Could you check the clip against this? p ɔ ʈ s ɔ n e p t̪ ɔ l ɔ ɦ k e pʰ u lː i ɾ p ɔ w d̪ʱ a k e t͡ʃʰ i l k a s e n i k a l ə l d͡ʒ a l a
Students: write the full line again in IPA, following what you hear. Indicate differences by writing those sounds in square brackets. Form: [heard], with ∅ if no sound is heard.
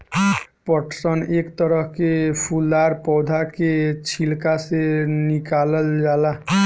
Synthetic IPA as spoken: p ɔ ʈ s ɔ n e [k] t̪ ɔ [ɾ] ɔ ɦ k e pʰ u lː [a] ɾ p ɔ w d̪ʱ a k e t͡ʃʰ i l k a s e n i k a l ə l d͡ʒ a l a